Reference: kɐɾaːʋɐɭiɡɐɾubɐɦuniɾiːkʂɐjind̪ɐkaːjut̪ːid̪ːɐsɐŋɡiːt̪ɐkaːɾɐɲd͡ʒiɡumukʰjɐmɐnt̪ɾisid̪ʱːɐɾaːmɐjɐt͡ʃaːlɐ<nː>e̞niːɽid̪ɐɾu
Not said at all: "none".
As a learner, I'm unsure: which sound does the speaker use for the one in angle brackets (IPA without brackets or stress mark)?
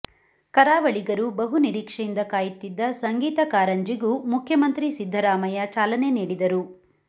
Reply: n